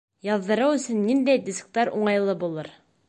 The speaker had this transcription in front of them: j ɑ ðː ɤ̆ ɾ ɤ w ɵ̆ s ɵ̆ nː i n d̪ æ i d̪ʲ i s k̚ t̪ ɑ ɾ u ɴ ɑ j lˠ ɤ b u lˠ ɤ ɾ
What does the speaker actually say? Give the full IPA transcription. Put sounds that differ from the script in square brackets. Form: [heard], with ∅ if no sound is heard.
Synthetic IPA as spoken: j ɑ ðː ɤ̆ ɾ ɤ w ɵ̆ s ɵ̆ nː i n d̪ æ [j] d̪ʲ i s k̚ t̪ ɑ ɾ u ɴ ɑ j lˠ ɤ b u lˠ ɤ ɾ